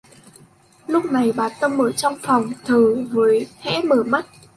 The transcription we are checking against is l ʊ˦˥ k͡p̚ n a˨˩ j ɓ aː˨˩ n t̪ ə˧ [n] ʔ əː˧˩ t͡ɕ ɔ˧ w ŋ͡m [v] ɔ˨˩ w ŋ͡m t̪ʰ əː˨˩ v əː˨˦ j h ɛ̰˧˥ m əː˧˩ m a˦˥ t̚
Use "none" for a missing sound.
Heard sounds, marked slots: m, f

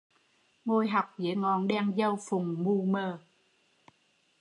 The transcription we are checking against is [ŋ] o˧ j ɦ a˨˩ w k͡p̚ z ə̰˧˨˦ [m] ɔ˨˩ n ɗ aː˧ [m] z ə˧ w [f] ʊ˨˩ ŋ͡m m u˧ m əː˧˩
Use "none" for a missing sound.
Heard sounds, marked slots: ŋ, ŋ, ŋ, f

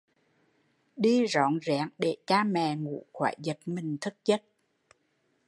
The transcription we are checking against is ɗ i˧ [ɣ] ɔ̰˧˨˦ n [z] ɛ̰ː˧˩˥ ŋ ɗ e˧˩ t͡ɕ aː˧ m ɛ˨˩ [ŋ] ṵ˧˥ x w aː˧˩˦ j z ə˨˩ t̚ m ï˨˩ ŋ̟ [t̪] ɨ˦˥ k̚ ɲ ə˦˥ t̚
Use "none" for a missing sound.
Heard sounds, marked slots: z, z, ŋ, t̪ʰ

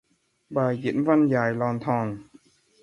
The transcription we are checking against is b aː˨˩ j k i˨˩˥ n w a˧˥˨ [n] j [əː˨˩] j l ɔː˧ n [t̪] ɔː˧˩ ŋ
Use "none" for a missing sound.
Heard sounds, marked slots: n, aː˨˩, t̪ʰ

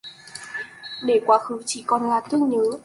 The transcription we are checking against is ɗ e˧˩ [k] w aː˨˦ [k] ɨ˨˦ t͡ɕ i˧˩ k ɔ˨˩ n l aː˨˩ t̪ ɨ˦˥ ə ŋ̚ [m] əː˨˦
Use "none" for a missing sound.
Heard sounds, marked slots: k, x, ɲ

